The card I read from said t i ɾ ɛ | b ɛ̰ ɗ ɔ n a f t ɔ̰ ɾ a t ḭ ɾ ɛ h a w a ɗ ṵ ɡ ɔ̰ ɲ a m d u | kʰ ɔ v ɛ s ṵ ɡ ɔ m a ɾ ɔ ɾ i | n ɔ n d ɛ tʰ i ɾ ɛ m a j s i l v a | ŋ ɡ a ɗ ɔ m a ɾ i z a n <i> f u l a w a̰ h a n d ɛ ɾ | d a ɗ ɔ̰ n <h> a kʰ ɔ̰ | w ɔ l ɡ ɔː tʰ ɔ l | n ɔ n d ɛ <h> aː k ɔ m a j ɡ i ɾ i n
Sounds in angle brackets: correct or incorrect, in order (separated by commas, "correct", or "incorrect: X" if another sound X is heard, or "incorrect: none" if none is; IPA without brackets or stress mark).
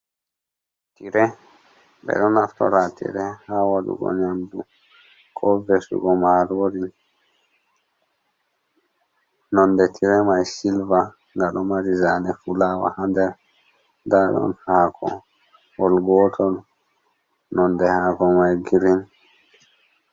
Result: incorrect: ɛ, correct, correct